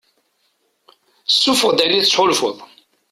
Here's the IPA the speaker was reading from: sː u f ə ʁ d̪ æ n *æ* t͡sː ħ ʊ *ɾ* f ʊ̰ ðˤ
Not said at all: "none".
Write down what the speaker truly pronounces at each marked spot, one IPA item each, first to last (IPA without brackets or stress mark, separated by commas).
i, l